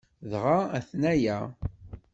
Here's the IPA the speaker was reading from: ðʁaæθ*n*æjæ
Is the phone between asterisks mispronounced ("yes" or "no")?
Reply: no